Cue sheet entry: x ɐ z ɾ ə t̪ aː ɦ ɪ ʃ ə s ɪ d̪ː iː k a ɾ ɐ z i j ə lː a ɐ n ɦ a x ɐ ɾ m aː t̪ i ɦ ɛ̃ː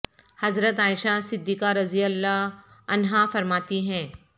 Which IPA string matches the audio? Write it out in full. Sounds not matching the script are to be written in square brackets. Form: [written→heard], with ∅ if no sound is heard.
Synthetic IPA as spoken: [x→h] ɐ z ɾ ə t̪ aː [ɦ→∅] ɪ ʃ [ə→a] s ɪ d̪ː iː k a ɾ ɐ z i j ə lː a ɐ n ɦ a [x→f] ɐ ɾ m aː t̪ i ɦ ɛ̃ː